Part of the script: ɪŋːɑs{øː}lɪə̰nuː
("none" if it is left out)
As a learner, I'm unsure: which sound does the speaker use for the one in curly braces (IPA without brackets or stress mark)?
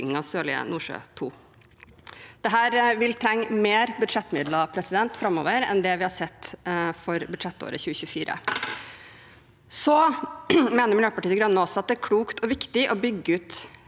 øː